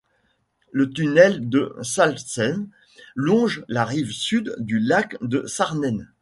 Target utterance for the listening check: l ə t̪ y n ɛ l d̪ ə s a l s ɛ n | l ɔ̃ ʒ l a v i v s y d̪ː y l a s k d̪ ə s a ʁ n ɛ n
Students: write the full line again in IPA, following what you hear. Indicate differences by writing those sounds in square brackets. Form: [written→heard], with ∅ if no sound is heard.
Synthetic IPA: l ə t̪ y n ɛ l d̪ ə s a l s ɛ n | l ɔ̃ ʒ l a [v→ʁ] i v s y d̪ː y l a [s→∅] k d̪ ə s a ʁ n ɛ n

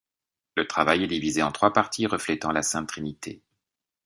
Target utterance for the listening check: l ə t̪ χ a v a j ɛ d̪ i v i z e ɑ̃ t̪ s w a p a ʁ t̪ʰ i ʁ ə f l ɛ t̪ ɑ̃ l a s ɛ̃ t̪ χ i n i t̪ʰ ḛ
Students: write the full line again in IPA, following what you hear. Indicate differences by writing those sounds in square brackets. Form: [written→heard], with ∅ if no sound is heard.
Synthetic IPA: l ə t̪ χ a v a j ɛ d̪ i v i z e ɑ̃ t̪ [s→χ] w a p a ʁ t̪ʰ i ʁ ə f l ɛ t̪ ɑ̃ l a s ɛ̃ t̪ χ i n i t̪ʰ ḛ

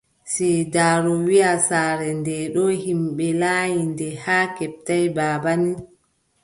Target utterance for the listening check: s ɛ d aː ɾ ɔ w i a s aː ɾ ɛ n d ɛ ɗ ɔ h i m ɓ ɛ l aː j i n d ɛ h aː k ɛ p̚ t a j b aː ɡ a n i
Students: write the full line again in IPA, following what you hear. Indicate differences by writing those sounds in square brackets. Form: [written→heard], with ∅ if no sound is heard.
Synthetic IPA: s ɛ d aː ɾ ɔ w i a s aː ɾ ɛ n d ɛ ɗ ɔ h i m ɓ ɛ l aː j i n d ɛ h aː k ɛ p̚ t a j b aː [ɡ→b] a n i

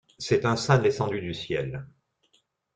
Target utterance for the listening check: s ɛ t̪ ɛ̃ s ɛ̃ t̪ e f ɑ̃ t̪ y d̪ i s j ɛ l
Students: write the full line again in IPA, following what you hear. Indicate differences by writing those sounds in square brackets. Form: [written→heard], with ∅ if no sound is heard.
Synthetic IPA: s ɛ t̪ ɛ̃ s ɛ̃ [t̪→d̪] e [f→s] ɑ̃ [t̪→d̪] y d̪ [i→y] s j ɛ l

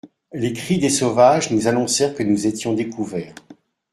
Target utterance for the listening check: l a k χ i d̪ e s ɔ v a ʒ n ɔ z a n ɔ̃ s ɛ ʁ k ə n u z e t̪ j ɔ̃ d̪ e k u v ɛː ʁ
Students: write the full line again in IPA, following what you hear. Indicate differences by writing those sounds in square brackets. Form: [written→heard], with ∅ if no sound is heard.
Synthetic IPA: l [a→e] k χ i d̪ e s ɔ v a ʒ n [ɔ→u] z a n ɔ̃ s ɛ ʁ k ə n u z e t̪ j ɔ̃ d̪ e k u v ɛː ʁ

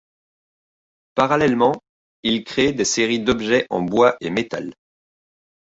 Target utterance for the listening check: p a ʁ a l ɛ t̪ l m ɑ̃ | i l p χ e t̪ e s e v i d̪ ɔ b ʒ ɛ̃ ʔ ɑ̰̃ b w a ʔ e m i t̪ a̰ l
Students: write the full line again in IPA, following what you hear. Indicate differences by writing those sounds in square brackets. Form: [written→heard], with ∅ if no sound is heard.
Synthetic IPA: p a ʁ a l ɛ [t̪→∅] l m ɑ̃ | i l [p→k] χ e [t̪→d̪] e s e [v→ʁ] i d̪ ɔ b ʒ [ɛ̃→ɛ] ʔ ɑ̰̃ b w a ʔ e m [i→e] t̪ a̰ l

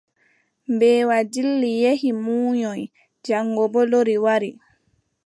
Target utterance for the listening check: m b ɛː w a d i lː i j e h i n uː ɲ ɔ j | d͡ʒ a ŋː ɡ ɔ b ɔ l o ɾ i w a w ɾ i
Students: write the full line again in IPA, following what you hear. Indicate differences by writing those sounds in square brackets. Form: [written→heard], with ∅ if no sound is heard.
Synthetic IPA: m b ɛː w a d i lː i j e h i [n→m] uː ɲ ɔ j | d͡ʒ a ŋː ɡ ɔ b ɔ l o ɾ i w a [w→∅] ɾ i

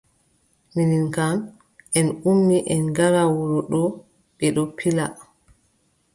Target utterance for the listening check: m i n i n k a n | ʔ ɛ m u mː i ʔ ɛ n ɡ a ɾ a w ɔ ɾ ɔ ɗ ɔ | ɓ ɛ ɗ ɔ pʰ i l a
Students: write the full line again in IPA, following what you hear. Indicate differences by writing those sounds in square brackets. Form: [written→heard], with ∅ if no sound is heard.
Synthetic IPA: m i n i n k a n | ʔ ɛ [m→n] u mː i ʔ ɛ n ɡ a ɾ a w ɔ ɾ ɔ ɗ ɔ | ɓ ɛ ɗ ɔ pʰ i l a

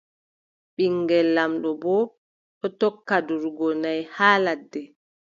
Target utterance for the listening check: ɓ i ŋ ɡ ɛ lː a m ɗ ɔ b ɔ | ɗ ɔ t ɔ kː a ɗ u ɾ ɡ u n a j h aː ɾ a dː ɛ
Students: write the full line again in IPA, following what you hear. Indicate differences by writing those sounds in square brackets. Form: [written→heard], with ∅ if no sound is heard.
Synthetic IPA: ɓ i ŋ ɡ ɛ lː a m ɗ ɔ b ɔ | ɗ ɔ t ɔ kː a [ɗ→d] u ɾ ɡ [u→ɔ] n a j h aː [ɾ→l] a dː ɛ

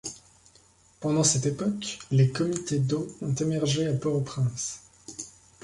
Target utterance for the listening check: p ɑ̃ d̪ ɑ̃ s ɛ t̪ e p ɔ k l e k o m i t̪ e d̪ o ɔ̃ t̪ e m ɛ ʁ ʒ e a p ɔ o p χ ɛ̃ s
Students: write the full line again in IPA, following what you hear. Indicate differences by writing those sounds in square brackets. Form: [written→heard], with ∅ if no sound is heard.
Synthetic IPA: p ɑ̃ d̪ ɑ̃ s ɛ t̪ e p ɔ k l e k [o→ɔ] m i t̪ e d̪ o ɔ̃ t̪ e m ɛ ʁ ʒ e a p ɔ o p χ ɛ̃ s

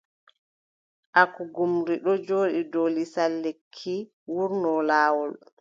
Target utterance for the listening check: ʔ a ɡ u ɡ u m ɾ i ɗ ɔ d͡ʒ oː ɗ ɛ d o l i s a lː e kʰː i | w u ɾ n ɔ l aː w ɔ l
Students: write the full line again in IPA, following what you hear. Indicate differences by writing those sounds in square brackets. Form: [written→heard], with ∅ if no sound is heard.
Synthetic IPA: ʔ a [ɡ→k] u ɡ u m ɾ i ɗ ɔ d͡ʒ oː ɗ [ɛ→i] d o l i s a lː e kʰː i | w u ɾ n ɔ l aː w ɔ l

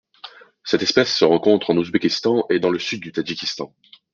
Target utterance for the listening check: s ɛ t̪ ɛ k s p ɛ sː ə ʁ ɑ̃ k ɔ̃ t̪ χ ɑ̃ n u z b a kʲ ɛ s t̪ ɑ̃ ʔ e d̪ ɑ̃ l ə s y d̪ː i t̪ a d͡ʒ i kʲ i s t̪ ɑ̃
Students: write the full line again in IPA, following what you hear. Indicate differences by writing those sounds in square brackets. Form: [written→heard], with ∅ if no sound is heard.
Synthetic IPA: s ɛ t̪ ɛ [k→∅] s p ɛ sː ə ʁ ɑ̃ k ɔ̃ t̪ χ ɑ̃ n u z b [a→e] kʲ [ɛ→i] s t̪ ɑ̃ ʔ e d̪ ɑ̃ l ə s y d̪ː [i→y] t̪ a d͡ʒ i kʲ i s t̪ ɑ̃

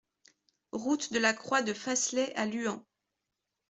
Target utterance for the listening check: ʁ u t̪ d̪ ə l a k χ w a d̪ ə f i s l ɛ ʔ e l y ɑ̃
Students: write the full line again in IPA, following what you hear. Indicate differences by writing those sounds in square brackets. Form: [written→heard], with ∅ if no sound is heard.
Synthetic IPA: ʁ u t̪ d̪ ə l a k χ w a d̪ ə f [i→a] s l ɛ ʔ [e→a] l y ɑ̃

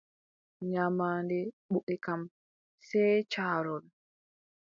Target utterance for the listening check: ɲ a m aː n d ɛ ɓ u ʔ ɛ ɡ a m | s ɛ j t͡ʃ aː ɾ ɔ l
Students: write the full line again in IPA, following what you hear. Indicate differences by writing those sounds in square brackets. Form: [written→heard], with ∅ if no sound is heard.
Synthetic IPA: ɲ a m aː n d ɛ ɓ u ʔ ɛ [ɡ→k] a m | s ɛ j t͡ʃ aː ɾ ɔ l

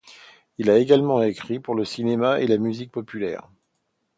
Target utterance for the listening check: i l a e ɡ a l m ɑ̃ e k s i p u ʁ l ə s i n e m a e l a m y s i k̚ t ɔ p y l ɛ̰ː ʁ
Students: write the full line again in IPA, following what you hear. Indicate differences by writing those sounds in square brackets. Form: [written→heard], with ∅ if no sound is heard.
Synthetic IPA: i l a e ɡ a l m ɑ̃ e k [s→χ] i p u ʁ l ə s i n e m a e l a m y [s→z] i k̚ [t→p] ɔ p y l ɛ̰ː ʁ

